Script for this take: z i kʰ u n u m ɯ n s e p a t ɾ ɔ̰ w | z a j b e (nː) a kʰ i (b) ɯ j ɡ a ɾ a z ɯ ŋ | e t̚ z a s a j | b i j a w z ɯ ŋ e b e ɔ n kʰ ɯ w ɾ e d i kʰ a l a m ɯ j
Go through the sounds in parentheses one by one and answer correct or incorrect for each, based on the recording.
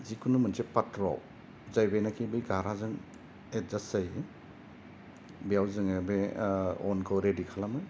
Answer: incorrect, correct

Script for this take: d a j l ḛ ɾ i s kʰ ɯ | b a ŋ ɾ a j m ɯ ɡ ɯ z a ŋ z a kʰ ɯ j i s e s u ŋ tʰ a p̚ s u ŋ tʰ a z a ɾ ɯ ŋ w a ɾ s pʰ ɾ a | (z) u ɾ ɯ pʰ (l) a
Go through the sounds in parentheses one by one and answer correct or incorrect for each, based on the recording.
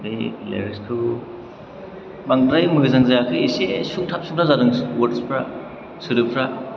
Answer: incorrect, incorrect

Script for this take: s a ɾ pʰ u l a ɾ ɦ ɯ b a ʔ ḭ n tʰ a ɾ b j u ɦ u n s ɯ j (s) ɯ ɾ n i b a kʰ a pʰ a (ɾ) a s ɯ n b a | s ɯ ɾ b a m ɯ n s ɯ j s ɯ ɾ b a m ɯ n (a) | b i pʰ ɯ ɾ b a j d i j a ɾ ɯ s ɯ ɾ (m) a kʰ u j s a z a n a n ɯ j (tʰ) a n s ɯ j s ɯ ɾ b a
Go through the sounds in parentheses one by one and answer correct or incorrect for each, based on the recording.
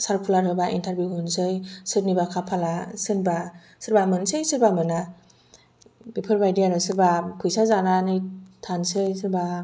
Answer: correct, incorrect, correct, incorrect, correct

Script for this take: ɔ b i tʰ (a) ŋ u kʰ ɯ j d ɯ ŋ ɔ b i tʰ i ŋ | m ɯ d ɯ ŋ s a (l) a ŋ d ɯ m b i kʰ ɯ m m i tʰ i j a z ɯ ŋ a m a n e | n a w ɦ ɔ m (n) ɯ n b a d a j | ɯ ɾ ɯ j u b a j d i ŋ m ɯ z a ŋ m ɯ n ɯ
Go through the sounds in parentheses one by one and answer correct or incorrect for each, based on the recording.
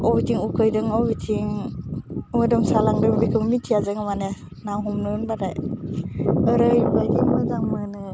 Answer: incorrect, correct, correct

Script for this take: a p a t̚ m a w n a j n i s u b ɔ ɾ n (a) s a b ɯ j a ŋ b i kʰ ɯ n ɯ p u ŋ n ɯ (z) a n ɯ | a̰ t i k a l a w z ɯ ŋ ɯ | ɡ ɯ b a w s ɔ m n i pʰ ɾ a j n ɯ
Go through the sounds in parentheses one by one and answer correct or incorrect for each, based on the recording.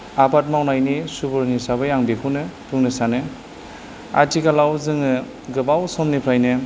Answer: incorrect, incorrect

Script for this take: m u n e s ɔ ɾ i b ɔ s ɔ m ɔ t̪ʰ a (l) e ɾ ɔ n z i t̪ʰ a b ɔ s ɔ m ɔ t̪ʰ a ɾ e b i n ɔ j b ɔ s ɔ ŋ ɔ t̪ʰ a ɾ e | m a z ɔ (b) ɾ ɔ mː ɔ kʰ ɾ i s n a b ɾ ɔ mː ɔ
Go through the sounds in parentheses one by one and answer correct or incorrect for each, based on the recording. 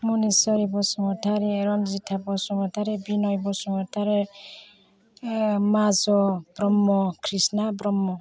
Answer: incorrect, correct

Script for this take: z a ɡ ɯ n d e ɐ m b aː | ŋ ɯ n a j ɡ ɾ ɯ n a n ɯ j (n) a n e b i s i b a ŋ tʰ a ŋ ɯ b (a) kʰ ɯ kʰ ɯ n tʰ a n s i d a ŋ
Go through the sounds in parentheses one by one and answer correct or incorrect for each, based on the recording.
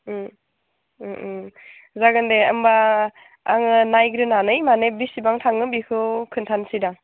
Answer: incorrect, incorrect

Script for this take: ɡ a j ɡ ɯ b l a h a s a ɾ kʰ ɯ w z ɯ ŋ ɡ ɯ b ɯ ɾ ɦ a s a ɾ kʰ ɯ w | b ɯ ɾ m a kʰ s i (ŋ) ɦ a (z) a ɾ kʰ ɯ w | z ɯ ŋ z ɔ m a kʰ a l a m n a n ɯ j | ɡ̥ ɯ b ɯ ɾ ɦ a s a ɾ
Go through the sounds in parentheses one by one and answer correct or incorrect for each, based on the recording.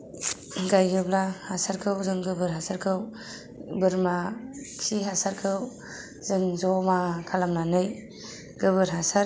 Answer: incorrect, incorrect

